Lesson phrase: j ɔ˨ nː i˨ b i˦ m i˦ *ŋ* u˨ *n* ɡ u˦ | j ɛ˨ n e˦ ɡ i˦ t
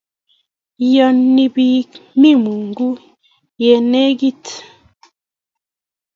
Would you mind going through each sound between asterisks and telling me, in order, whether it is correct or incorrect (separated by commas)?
incorrect, incorrect